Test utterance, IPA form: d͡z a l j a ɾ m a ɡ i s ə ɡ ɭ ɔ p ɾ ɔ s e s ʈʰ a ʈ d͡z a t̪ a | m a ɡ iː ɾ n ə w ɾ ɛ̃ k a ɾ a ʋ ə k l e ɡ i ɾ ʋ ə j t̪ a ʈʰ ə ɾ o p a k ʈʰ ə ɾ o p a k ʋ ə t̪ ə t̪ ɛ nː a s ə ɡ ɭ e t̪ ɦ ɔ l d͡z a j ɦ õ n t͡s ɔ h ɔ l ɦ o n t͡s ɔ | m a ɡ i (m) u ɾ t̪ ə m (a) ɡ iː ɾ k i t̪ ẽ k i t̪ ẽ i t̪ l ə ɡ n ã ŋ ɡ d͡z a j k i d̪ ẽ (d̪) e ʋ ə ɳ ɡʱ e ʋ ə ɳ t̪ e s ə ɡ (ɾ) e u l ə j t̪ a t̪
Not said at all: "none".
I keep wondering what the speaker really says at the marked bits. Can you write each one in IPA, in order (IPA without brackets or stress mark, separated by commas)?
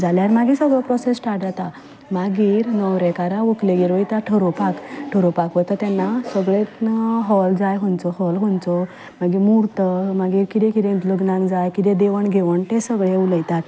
m, a, d̪, ɭ